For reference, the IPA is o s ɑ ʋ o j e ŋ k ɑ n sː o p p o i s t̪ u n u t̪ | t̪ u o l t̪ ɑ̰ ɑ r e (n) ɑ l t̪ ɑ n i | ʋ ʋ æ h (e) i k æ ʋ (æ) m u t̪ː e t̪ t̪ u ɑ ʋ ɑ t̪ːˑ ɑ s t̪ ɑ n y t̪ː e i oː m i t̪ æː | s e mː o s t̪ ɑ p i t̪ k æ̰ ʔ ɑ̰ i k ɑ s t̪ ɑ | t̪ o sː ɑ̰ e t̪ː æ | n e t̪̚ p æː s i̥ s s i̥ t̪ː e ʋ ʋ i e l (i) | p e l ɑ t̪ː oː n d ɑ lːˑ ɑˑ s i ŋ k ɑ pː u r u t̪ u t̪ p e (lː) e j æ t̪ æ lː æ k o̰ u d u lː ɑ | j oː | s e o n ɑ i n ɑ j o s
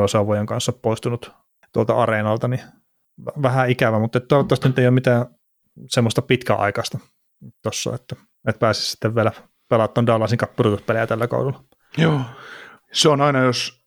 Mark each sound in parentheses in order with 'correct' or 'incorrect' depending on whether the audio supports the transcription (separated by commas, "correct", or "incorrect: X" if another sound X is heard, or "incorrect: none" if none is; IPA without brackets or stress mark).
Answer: correct, incorrect: æ, correct, incorrect: æ, incorrect: l